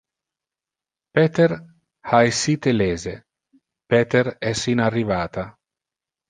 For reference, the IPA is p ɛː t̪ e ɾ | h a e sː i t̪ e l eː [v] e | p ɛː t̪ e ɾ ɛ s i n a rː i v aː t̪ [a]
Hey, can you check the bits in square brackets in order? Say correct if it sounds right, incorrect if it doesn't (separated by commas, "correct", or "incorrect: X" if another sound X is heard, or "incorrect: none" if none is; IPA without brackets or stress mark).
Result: incorrect: z, correct